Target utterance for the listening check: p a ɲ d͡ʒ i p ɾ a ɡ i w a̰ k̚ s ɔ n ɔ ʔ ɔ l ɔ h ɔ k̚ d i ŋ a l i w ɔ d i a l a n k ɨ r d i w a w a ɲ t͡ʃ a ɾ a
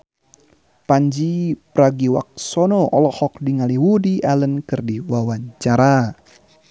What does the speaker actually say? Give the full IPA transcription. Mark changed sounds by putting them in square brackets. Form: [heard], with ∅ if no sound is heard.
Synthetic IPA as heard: p a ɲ d͡ʒ i p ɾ a ɡ i w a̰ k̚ s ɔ n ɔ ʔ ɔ l ɔ h ɔ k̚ d i ŋ a l i w [u] d i a l [ə] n k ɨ r d i w a w a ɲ t͡ʃ a ɾ a

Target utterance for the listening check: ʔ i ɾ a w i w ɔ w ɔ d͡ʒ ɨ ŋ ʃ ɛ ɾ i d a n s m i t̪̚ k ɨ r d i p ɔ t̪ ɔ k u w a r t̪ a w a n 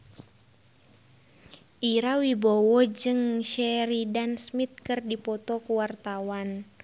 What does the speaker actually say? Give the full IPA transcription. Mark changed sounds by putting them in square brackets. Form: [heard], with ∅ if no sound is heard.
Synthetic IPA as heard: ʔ i ɾ a w i [b] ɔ w ɔ d͡ʒ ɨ ŋ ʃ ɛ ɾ i d a n s m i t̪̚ k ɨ r d i p ɔ t̪ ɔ k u w a r t̪ a w a n

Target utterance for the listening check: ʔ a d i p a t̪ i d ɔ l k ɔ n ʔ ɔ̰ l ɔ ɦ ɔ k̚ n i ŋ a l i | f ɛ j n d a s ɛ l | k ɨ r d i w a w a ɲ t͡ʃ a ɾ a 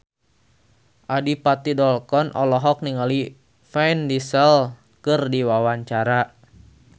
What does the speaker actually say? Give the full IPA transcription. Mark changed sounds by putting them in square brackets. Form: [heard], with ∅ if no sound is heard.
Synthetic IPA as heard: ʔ a d i p a t̪ i d ɔ l k ɔ n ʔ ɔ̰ l ɔ ɦ ɔ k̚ n i ŋ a l i | f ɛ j n d [i] s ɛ l | k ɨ r d i w a w a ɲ t͡ʃ a ɾ a

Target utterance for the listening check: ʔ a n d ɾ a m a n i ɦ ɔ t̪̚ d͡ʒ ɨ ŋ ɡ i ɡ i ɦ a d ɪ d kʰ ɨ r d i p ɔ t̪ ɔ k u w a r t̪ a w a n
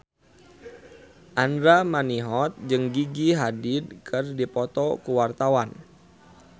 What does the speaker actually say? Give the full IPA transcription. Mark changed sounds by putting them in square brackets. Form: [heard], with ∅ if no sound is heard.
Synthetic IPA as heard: ʔ a n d ɾ a m a n i ɦ ɔ t̪̚ d͡ʒ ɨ ŋ ɡ i ɡ i ɦ a d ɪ d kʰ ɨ r d i p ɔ t̪ ɔ k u w a r t̪ a w a n

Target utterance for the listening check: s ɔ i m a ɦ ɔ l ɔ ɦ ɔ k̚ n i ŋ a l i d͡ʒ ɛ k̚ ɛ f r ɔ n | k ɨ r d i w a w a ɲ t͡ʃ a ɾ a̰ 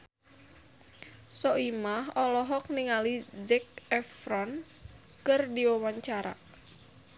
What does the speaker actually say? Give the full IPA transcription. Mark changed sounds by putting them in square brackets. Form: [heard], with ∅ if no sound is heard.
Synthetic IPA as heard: s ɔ i m a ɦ ɔ l ɔ ɦ ɔ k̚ n i ŋ a l i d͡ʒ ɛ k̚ ɛ f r ɔ n | k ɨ r d i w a w a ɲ t͡ʃ a ɾ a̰

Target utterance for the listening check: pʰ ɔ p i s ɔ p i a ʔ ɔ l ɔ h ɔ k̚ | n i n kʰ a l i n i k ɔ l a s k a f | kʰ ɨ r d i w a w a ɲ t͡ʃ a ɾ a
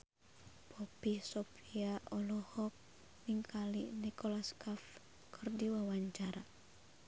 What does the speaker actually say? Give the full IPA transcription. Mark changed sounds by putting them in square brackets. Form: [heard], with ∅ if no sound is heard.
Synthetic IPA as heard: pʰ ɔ p i s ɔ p i a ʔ ɔ l ɔ h ɔ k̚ | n i [ŋ] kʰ a l i n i k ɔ l a s k a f | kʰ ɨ r d i w a w a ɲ t͡ʃ a ɾ a

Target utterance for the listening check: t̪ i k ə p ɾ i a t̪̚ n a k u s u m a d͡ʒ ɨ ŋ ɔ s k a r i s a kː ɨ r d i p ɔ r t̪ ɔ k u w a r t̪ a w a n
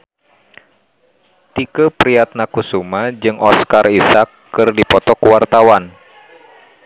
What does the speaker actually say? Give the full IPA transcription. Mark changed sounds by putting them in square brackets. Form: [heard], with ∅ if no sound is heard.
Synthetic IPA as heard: t̪ i k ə p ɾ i a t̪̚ n a k u s u m a d͡ʒ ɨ ŋ ɔ s k a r i s a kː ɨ r d i p ɔ [∅] t̪ ɔ k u w a r t̪ a w a n

